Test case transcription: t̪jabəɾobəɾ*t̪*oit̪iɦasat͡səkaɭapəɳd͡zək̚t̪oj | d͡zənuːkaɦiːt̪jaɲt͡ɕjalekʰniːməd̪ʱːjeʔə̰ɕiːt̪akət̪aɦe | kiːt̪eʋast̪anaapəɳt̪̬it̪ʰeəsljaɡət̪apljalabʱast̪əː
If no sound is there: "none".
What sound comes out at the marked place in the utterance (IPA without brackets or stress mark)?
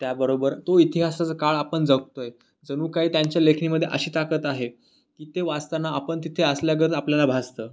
t̪